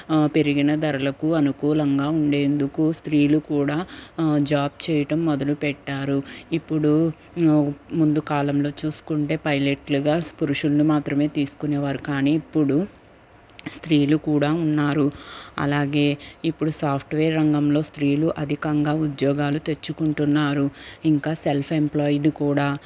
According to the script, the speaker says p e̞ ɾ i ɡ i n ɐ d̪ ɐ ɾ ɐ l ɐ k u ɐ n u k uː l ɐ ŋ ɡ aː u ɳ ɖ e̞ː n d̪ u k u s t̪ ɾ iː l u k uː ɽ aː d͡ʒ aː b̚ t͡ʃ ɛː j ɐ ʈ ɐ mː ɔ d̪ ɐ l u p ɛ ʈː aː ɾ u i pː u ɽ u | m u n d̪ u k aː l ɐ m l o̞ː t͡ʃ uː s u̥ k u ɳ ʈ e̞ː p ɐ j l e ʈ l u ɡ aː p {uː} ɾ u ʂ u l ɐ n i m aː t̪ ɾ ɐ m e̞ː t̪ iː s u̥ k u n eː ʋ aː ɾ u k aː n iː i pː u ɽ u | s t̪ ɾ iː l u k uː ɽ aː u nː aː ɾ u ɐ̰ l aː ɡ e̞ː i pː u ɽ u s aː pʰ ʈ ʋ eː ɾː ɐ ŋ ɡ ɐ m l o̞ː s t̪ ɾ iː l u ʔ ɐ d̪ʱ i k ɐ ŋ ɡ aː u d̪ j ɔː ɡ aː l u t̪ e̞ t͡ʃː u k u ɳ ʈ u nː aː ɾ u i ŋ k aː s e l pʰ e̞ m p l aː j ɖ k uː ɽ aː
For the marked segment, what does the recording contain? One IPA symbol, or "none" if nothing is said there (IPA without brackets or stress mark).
u